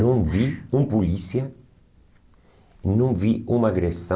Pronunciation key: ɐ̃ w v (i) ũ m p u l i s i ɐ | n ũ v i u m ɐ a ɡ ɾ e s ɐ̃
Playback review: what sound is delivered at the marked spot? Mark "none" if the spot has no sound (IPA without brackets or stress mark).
i